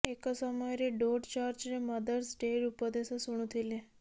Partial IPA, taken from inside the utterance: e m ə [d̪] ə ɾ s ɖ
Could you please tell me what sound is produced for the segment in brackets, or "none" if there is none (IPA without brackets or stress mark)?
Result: d̪